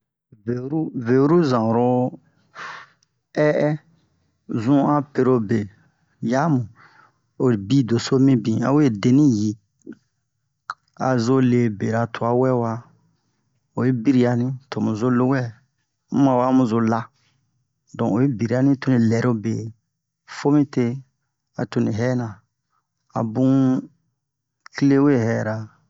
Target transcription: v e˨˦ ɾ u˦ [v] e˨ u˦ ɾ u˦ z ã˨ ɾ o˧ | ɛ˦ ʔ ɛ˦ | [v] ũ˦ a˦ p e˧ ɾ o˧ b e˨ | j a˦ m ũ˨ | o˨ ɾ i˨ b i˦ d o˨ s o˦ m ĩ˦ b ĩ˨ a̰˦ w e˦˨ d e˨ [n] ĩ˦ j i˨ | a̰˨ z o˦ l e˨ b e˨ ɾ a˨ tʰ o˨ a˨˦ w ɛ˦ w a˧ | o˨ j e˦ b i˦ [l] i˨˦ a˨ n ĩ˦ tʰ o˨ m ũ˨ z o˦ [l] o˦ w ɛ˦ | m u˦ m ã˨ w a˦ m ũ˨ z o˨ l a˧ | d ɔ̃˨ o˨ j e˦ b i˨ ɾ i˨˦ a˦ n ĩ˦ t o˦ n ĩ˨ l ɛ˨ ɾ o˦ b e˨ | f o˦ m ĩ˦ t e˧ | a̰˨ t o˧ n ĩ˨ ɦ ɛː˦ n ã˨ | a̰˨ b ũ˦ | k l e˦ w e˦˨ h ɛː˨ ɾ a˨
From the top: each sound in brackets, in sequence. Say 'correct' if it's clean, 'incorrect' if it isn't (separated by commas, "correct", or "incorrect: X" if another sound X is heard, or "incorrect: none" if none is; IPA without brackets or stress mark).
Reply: correct, incorrect: z, correct, incorrect: ɾ, correct